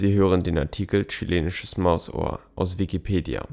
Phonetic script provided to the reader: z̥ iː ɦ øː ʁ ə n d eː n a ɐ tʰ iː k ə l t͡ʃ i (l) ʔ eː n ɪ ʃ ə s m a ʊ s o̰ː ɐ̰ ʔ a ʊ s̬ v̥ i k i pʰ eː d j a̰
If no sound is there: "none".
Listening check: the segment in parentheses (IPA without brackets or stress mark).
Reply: l